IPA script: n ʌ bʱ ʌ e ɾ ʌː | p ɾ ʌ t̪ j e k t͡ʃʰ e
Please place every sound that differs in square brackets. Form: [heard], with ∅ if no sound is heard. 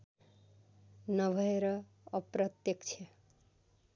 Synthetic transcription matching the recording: n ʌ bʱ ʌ e ɾ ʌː | p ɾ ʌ t̪ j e k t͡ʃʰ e